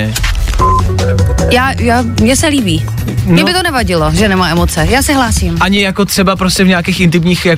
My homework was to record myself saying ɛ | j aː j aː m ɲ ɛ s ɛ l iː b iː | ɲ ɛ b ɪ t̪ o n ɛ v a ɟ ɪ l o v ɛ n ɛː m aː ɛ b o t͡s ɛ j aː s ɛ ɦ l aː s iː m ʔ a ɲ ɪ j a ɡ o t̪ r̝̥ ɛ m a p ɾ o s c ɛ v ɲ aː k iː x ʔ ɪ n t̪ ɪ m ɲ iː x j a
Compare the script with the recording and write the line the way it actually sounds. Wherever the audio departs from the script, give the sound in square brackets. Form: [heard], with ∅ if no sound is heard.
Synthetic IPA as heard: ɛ | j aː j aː m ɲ ɛ s ɛ l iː b iː | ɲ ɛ b ɪ t̪ o n ɛ v a ɟ ɪ l o [ʒ] ɛ n [ɛ] m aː ɛ [m] o t͡s ɛ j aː s ɛ ɦ l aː s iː m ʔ a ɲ ɪ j a [k] o t̪ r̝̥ ɛ [b] a p ɾ o s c ɛ v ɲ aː k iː x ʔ ɪ n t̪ ɪ m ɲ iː x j a